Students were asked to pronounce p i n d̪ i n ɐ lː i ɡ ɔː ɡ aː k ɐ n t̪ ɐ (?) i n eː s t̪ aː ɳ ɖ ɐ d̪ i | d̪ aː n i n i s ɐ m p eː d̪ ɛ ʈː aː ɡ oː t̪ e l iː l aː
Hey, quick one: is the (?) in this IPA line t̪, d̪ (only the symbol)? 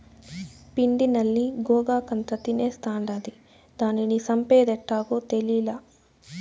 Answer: t̪